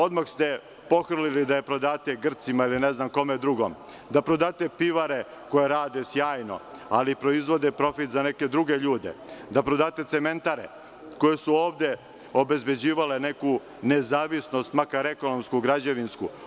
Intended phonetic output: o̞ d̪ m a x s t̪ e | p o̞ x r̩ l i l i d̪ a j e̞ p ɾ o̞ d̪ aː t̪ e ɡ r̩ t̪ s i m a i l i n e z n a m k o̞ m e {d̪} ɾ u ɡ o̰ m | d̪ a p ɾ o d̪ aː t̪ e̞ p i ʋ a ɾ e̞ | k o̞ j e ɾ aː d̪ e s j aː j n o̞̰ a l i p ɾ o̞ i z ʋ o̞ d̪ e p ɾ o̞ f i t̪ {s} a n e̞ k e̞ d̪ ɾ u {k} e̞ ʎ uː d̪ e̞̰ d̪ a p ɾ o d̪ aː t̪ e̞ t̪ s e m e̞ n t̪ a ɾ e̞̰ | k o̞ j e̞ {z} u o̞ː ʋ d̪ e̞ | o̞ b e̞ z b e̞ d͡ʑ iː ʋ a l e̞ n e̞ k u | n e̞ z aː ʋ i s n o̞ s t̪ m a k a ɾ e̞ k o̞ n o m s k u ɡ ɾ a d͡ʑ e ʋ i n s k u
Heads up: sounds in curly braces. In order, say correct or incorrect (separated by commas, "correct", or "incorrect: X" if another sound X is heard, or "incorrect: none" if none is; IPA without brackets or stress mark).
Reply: correct, incorrect: z, incorrect: ɡ, incorrect: s